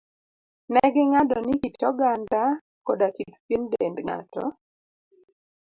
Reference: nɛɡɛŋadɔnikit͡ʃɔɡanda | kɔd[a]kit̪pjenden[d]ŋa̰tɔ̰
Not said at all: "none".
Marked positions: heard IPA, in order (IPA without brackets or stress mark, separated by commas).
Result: a, d